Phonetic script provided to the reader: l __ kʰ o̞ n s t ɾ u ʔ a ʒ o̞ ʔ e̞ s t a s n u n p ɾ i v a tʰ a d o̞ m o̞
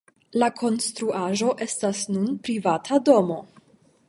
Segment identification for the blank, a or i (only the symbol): a